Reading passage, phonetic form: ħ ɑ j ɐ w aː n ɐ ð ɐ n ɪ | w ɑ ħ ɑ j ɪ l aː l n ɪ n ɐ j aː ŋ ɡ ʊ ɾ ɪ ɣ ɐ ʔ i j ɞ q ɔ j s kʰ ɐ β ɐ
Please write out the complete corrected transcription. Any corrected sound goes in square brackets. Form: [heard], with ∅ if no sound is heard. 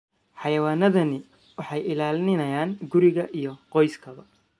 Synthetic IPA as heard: ħ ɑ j ɐ w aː n ɐ ð ɐ n ɪ | w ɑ ħ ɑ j ɪ l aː l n ɪ n ɐ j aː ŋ ɡ ʊ ɾ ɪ ɣ ɐ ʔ i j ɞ q ɔ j s kʰ ɐ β ɐ